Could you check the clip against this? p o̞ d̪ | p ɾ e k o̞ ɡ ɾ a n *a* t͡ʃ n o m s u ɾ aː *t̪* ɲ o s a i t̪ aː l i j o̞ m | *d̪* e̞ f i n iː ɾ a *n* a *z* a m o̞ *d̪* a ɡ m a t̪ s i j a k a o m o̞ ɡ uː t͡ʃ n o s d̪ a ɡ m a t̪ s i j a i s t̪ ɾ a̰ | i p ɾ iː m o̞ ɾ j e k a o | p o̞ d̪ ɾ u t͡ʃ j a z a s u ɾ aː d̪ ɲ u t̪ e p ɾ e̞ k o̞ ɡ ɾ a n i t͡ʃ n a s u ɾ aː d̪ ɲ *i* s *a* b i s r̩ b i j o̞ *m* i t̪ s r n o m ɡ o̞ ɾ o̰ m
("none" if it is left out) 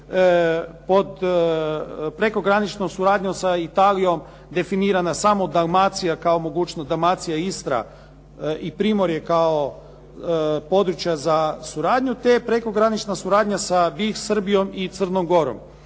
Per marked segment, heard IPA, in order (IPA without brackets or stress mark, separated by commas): i, d̪, d̪, n, s, d̪, a, a, m